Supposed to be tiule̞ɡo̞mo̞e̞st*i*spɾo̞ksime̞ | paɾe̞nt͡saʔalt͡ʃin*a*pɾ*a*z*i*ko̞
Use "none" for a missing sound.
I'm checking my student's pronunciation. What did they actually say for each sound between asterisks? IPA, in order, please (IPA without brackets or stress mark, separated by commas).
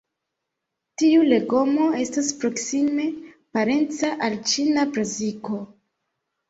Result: a, a, a, i